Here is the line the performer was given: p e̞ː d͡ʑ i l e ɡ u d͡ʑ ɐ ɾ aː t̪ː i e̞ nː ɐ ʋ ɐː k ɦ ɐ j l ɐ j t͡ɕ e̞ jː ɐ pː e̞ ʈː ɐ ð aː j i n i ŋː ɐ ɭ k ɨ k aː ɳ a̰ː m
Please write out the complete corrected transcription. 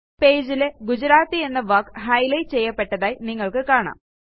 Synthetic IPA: p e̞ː d͡ʑ i l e ɡ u d͡ʑ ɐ ɾ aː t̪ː i e̞ nː ɐ ʋ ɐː k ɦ ɐ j l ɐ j t͡ɕ e̞ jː ɐ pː e̞ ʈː ɐ ð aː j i n i ŋː ɐ ɭ k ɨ k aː ɳ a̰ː m